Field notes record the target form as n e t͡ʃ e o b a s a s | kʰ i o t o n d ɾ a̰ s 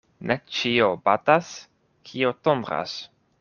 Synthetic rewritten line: n e t͡ʃ i o b a t a s | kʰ i o t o n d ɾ a̰ s

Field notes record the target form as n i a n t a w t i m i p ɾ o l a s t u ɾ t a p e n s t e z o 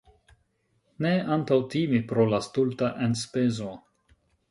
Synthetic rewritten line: n e a n t a w t i m i p ɾ o l a s t u l t a ʔ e n s p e z o

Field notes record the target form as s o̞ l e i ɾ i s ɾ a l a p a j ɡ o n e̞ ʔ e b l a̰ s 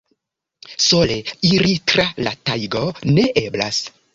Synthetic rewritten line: s o̞ l e i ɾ i t ɾ a l a t a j ɡ o n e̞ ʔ e b l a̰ s

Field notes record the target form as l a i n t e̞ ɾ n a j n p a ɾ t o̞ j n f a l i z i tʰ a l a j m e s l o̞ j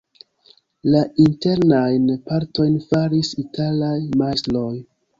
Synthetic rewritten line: l a i n t e̞ ɾ n a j n p a ɾ t o̞ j n f a ɾ i s i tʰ a l a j m a s l o̞ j

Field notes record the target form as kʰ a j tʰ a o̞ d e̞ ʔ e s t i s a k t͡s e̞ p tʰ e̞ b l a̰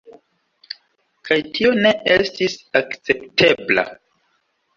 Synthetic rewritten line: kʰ a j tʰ i o̞ n e̞ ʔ e s t i s a k t͡s e̞ p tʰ e̞ b l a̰

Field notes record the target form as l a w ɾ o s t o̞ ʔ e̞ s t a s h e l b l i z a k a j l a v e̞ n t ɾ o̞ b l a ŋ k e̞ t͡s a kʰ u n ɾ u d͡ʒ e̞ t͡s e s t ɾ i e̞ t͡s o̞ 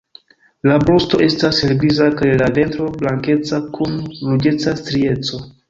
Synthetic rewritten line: l a b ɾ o s t o̞ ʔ e̞ s t a s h e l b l i z a k a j l a v e̞ n t ɾ o̞ b l a ŋ k e̞ t͡s a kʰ u n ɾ u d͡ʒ e̞ t͡s a s t ɾ i e̞ t͡s o̞

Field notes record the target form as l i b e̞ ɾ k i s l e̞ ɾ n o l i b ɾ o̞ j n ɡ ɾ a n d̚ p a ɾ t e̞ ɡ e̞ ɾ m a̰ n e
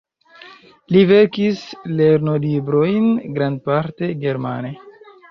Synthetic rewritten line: l i v e̞ ɾ k i s l e̞ ɾ n o l i b ɾ o̞ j n ɡ ɾ a n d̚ p a ɾ t e̞ ɡ e̞ ɾ m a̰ n e

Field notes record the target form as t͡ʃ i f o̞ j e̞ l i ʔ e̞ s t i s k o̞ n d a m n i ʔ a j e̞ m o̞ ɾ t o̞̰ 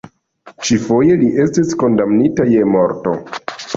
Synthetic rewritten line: t͡ʃ i f o̞ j e̞ l i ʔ e̞ s t i s k o̞ n d a m n i t a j e̞ m o̞ ɾ t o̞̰

